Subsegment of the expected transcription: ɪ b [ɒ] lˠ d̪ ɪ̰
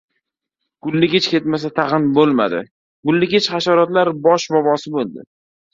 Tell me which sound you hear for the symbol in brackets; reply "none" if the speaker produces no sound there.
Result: o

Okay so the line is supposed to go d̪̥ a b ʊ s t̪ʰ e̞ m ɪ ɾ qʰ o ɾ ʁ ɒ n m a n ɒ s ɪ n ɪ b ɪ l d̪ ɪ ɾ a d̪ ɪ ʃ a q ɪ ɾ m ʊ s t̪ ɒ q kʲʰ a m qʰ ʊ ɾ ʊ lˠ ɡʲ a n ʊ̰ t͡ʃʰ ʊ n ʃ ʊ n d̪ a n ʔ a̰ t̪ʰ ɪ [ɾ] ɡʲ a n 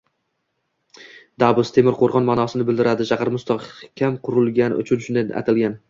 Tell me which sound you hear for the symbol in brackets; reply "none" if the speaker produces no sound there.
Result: l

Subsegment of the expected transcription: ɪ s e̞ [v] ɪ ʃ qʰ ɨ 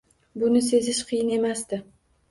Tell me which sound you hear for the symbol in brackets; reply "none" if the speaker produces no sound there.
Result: z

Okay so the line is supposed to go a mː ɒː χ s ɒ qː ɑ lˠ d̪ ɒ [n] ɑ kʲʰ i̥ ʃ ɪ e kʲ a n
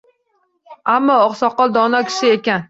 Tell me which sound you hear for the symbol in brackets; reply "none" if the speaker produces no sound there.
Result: n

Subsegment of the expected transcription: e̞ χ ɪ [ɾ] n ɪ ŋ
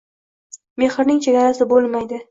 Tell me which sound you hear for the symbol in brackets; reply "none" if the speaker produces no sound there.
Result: ɾ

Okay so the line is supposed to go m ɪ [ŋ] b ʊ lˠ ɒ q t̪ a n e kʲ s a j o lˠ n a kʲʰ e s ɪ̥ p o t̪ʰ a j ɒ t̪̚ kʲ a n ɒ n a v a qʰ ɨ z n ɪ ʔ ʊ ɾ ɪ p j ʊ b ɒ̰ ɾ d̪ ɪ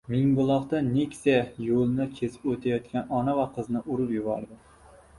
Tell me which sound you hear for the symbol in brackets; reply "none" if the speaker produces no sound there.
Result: ŋ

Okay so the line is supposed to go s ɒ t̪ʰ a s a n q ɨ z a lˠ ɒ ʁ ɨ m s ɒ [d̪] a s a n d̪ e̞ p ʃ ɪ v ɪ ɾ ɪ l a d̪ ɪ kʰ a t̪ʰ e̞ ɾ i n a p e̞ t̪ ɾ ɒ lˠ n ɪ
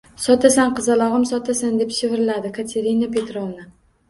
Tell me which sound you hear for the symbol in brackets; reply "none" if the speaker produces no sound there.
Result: t̪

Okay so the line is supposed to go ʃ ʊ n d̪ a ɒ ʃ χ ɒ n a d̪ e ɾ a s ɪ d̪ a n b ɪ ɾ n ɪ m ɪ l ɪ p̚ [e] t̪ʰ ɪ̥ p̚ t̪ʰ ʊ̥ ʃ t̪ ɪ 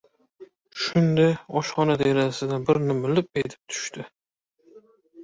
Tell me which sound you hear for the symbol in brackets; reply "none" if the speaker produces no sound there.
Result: e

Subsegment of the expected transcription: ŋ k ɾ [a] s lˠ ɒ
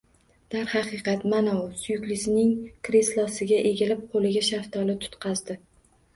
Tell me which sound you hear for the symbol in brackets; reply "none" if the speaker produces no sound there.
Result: e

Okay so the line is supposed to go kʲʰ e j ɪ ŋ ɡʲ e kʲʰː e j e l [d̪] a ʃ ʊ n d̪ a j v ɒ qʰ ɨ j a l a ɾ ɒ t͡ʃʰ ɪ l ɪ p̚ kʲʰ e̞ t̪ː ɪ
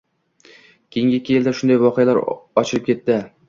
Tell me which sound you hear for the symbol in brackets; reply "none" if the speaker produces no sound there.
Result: d̪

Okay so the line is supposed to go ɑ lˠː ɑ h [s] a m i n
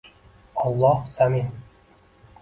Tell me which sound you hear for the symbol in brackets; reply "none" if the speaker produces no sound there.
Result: s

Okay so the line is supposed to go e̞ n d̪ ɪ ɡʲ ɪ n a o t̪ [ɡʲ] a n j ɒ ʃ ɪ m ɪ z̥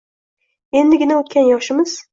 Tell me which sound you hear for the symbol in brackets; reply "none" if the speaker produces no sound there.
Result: kʲ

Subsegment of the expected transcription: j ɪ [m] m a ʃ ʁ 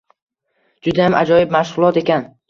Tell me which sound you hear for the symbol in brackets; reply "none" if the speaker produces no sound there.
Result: b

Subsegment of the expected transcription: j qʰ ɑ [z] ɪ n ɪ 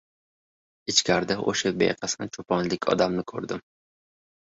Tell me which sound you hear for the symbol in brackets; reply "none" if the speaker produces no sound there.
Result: s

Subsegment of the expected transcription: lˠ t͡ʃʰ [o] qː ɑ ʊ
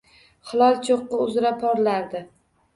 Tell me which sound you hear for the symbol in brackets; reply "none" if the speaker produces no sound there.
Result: o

